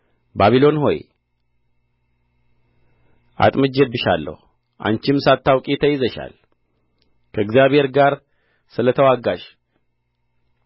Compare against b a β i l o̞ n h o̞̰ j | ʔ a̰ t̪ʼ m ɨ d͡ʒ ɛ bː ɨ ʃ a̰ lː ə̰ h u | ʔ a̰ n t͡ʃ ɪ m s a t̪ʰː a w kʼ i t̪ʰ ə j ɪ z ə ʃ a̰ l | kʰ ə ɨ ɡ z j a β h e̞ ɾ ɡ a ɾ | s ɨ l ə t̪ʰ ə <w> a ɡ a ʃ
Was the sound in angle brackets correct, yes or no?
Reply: yes